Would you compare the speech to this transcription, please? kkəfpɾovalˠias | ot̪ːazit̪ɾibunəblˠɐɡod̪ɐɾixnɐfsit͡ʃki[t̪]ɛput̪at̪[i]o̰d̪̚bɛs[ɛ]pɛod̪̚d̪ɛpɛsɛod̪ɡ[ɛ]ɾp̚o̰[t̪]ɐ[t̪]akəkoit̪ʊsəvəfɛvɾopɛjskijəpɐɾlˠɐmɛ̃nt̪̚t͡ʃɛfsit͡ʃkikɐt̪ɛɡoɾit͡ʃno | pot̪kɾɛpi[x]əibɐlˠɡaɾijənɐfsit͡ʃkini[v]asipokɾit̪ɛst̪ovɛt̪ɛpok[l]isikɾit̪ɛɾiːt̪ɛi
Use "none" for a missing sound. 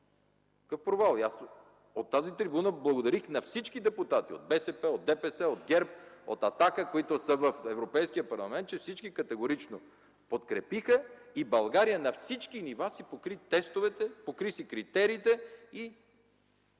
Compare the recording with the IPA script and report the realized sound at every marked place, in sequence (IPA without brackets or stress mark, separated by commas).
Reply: d̪, i, ɛ, ɛ, t̪, t̪, x, v, ɾ